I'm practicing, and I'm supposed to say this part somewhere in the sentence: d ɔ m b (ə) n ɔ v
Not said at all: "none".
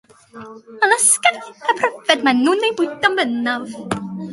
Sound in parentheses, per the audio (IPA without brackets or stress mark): ə